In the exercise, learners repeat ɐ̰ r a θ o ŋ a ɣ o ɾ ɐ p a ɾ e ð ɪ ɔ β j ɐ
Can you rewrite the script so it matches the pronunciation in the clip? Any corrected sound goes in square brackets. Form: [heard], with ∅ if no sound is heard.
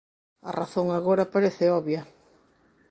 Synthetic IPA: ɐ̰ r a θ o ŋ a ɣ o ɾ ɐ p a ɾ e [θ] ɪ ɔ β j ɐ